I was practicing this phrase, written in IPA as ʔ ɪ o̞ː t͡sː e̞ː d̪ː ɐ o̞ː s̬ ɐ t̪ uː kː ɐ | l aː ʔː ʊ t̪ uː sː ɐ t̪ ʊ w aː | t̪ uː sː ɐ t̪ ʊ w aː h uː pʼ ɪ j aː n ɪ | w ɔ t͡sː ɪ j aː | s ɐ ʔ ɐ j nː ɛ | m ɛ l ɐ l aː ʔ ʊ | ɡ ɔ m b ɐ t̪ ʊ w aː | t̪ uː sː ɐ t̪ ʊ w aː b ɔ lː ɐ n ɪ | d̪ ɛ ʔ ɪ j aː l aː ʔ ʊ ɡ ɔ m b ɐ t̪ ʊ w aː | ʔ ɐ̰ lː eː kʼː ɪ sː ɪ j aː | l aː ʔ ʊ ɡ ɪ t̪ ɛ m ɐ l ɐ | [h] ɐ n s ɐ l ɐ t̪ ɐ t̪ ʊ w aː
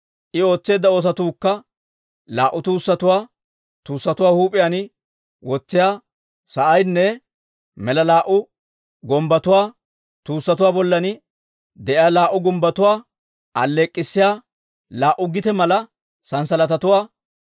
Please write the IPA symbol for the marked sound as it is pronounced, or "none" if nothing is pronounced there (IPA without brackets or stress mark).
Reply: s